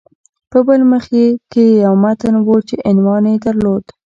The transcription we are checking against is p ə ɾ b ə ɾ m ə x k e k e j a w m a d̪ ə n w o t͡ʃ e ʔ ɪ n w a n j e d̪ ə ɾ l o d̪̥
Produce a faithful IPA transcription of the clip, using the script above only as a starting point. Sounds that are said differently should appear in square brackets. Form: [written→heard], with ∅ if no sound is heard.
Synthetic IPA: p ə [ɾ→∅] b ə [ɾ→l] m ə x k e k e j a w m a [d̪→t̪] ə n w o t͡ʃ e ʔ ɪ n w [a→ɑ] n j e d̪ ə ɾ l o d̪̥